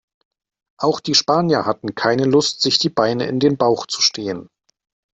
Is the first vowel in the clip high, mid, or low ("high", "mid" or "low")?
low